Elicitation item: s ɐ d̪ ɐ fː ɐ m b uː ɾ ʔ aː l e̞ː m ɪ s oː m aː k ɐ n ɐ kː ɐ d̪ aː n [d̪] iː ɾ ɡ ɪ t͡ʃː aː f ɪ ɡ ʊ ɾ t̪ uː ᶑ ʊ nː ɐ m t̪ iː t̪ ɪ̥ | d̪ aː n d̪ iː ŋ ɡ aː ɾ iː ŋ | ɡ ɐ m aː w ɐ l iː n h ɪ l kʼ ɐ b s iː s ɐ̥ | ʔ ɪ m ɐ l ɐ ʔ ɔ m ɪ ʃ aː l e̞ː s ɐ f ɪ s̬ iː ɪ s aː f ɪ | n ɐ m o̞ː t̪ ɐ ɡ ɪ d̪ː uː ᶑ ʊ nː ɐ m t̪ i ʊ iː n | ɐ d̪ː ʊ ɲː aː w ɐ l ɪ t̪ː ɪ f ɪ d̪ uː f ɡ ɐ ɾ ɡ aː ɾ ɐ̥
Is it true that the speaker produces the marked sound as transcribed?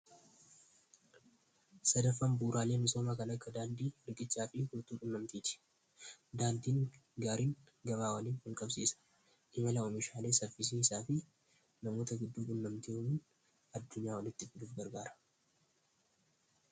yes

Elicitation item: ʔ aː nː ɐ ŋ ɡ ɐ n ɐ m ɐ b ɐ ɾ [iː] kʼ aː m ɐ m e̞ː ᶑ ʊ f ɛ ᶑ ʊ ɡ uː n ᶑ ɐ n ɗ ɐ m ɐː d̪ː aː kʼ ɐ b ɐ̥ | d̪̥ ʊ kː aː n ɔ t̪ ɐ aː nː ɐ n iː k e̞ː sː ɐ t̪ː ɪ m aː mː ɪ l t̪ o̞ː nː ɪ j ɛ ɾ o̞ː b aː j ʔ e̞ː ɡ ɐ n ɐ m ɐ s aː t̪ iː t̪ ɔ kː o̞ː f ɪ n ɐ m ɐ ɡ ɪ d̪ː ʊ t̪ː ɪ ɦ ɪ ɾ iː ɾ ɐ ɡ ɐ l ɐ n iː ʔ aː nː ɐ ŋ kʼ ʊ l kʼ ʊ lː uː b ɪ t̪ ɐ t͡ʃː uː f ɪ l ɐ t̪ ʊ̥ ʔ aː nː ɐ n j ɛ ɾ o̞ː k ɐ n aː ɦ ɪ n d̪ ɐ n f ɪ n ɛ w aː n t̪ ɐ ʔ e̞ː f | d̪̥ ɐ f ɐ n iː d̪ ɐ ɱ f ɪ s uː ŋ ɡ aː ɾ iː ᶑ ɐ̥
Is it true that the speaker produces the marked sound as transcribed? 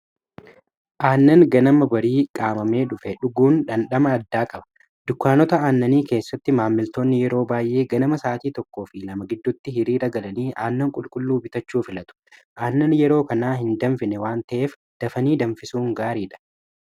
yes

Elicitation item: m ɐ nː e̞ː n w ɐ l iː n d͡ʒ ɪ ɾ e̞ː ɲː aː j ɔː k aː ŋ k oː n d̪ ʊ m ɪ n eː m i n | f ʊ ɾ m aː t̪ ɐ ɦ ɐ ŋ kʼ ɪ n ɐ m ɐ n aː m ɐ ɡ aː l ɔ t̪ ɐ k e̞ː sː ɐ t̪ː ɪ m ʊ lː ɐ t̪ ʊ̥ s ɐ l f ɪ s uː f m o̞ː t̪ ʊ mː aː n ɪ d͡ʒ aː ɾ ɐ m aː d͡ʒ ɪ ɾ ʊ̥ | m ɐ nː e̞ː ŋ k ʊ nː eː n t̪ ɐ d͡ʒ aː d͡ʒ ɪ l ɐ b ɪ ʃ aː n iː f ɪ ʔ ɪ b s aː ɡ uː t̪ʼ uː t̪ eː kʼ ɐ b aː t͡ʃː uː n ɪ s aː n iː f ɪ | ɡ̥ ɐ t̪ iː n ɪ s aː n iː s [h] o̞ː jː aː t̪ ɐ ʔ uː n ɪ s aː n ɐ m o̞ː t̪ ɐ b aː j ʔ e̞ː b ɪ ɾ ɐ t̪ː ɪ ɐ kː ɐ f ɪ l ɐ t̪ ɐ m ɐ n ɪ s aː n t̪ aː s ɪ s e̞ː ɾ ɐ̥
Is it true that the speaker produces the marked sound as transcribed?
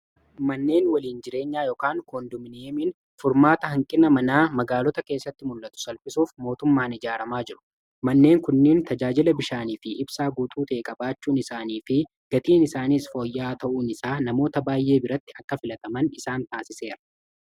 no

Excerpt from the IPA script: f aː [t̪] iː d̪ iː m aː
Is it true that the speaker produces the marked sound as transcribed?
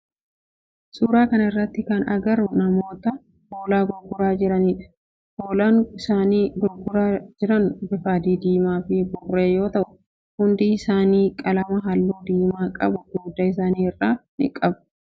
no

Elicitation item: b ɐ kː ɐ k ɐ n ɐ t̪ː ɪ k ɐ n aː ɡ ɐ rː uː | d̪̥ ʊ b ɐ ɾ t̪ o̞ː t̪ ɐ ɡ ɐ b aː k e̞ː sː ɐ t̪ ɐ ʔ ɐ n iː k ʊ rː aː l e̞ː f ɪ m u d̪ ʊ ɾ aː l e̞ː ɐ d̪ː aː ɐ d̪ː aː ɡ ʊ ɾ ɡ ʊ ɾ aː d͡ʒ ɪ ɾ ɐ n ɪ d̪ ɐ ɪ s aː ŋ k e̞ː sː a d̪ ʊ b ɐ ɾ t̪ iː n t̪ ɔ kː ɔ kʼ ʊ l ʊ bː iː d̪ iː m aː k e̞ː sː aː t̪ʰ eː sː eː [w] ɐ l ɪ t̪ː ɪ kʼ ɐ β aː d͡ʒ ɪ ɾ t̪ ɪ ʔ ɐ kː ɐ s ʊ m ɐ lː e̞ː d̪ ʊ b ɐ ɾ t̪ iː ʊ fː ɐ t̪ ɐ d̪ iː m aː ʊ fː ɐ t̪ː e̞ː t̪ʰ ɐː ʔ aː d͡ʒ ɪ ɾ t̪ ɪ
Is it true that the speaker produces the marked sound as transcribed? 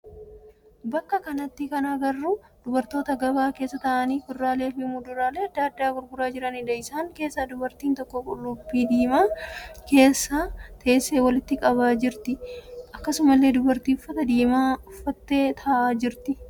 yes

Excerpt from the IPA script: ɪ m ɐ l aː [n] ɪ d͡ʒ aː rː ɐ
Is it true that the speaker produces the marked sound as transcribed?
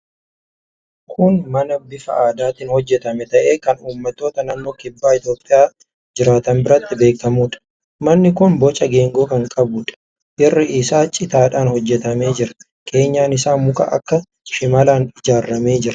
yes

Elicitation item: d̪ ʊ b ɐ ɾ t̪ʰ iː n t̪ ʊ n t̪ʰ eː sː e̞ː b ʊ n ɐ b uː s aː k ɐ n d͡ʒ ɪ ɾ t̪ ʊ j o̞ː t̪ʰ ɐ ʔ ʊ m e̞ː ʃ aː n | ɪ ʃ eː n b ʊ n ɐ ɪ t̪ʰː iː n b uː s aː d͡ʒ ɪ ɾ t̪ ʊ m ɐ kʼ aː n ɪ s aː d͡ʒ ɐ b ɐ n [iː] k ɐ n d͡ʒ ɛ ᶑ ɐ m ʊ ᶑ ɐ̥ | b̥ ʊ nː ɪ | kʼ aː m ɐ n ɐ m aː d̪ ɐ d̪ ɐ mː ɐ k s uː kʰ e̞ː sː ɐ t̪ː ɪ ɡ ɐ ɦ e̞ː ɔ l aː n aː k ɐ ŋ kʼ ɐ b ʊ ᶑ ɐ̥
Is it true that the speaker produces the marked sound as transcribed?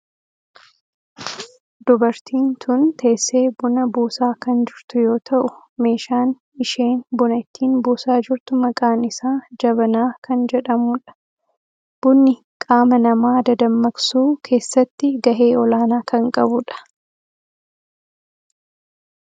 no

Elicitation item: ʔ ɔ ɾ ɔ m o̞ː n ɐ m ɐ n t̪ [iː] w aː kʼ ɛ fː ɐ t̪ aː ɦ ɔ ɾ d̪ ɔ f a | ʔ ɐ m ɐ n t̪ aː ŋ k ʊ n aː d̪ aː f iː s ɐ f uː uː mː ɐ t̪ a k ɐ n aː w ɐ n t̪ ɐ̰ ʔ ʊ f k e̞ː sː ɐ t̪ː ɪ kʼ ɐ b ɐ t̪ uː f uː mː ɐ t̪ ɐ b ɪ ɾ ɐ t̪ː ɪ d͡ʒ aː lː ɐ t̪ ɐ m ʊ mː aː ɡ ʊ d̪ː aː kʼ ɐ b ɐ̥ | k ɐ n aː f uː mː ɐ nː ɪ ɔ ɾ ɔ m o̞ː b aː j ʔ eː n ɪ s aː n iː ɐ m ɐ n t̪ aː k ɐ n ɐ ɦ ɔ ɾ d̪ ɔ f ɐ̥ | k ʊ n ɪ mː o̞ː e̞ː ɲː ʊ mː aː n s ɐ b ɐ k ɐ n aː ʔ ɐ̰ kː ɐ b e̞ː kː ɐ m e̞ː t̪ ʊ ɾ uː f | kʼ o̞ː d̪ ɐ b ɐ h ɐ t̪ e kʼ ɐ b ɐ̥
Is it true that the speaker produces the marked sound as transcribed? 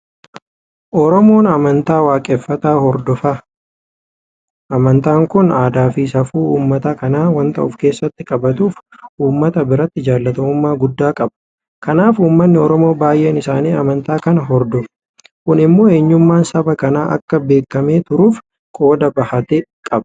no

